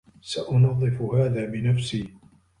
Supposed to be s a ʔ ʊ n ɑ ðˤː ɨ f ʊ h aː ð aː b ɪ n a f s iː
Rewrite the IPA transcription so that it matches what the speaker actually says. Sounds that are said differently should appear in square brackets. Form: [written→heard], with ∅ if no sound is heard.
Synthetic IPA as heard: s a ʔ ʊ n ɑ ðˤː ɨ f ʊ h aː ð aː b ɪ n a f s iː